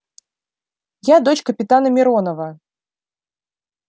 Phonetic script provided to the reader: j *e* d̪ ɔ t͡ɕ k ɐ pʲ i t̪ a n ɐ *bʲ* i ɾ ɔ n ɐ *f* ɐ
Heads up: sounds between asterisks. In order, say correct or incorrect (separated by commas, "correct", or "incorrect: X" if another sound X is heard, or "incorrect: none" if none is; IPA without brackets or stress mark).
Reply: incorrect: a, incorrect: mʲ, incorrect: v